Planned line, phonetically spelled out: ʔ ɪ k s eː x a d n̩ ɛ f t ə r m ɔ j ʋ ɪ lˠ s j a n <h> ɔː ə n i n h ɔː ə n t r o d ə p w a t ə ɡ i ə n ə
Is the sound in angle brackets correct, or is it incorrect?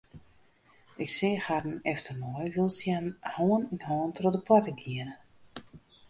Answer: correct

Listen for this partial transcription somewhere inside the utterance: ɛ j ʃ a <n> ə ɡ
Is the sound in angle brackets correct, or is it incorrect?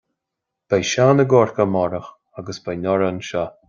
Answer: correct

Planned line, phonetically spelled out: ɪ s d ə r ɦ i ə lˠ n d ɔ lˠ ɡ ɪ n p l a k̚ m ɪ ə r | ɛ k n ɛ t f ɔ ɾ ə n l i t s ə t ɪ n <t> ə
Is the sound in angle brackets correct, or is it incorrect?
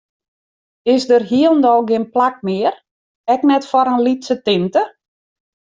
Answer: correct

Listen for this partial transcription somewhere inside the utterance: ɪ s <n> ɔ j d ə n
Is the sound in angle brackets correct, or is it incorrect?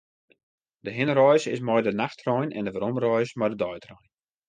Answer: incorrect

